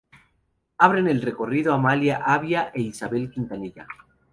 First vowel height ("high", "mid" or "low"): low